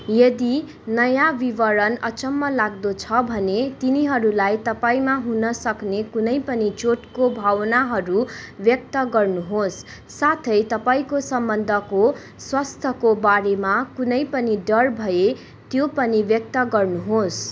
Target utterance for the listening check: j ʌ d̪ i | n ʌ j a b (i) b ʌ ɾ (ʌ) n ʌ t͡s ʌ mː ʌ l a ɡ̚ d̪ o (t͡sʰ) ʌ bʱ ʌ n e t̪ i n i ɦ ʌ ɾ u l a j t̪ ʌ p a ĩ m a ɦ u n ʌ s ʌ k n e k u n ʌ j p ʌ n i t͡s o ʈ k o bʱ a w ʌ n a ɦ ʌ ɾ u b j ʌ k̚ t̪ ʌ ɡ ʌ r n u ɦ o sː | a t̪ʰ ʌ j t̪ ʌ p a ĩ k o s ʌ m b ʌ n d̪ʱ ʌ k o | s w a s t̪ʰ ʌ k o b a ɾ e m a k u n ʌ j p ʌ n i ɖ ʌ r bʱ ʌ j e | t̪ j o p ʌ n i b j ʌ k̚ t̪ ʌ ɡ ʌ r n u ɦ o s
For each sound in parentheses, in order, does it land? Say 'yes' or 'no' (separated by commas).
yes, yes, yes